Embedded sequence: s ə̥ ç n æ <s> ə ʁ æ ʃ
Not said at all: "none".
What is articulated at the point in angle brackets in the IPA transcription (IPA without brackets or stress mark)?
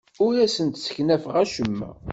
f